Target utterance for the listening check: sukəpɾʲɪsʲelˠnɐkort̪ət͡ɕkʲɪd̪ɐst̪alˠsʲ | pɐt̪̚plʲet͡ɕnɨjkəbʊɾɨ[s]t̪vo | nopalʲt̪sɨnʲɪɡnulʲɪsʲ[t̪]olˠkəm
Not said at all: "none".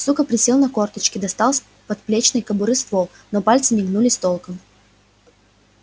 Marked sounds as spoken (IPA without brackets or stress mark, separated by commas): s, t̪